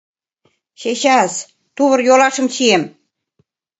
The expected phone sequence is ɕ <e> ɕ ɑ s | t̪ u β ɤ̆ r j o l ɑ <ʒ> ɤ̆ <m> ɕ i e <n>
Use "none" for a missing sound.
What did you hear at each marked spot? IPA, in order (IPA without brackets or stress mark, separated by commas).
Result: e, ʃ, m, m